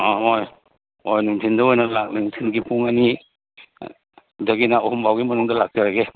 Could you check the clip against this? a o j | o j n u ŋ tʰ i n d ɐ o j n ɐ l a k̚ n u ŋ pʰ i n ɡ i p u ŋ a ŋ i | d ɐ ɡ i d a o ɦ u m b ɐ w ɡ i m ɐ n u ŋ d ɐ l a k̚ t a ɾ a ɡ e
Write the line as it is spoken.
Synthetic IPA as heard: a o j | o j n u ŋ tʰ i n d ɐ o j n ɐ l a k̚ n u ŋ tʰ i n ɡ i p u ŋ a n i | d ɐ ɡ i n a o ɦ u m b a w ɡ i m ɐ n u ŋ d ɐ l a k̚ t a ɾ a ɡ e